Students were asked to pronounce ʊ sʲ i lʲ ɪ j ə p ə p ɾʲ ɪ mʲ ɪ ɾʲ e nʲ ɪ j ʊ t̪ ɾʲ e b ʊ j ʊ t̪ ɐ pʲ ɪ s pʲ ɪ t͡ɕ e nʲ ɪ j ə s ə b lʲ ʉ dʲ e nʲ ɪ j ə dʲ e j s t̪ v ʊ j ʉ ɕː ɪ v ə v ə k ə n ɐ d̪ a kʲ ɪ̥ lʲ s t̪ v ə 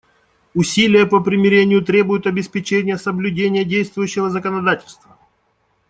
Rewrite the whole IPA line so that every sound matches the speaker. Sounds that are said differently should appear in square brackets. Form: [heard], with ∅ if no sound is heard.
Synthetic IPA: ʊ sʲ i lʲ ɪ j ə p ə p ɾʲ ɪ mʲ ɪ ɾʲ e nʲ ɪ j ʊ t̪ ɾʲ e b ʊ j ʊ t̪ ɐ [bʲ] ɪ s pʲ ɪ t͡ɕ e nʲ ɪ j ə s ə b lʲ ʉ dʲ e nʲ ɪ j ə dʲ e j s t̪ v ʊ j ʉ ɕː ɪ v ə [z] ə k ə n ɐ d̪ a [tʲ] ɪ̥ lʲ s t̪ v ə